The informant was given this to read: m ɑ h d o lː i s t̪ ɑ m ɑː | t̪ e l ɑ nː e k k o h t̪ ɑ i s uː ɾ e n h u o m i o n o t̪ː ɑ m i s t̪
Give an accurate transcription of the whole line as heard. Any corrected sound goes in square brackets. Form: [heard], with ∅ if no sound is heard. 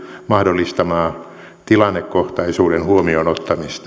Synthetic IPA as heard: m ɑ h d o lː i s t̪ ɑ m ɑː | t̪ [i] l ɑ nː e k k o h t̪ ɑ i s uː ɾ e n h u o m i o n o t̪ː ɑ m i s t̪